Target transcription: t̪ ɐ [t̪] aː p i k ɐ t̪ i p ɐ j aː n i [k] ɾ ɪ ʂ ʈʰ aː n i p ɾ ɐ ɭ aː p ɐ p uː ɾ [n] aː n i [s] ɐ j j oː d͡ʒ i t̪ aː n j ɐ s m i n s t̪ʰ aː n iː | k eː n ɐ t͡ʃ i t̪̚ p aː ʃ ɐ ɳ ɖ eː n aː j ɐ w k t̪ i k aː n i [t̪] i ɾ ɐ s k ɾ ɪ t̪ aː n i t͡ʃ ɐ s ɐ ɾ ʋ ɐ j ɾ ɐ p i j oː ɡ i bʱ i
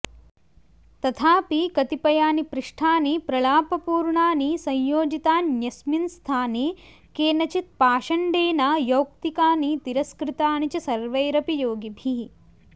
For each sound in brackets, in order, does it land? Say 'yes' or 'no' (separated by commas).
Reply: no, no, no, yes, yes